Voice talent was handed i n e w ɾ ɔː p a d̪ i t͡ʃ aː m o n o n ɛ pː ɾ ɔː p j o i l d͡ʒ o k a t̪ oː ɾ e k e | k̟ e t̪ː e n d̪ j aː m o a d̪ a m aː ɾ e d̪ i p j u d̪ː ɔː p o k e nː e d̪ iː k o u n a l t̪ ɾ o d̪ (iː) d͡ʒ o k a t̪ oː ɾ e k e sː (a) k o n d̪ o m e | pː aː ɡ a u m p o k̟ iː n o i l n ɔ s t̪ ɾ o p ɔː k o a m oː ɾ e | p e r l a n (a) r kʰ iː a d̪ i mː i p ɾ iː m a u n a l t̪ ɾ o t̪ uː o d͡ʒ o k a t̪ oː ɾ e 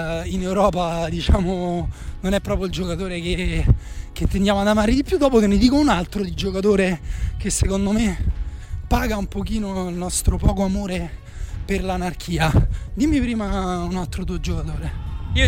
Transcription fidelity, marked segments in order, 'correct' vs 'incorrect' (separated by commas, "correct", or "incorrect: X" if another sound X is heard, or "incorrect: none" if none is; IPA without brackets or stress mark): incorrect: i, incorrect: e, correct